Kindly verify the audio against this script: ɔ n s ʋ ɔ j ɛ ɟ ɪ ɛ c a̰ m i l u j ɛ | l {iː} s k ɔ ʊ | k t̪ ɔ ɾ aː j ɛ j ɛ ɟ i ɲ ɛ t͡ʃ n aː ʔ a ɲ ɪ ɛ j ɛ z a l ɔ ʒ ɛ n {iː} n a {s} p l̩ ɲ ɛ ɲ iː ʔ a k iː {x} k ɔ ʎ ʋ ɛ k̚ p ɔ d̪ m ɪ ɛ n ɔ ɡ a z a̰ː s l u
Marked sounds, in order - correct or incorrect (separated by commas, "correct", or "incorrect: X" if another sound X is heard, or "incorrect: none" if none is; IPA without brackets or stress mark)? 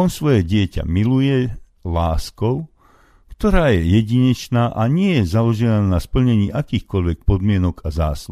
incorrect: aː, incorrect: aː, correct, correct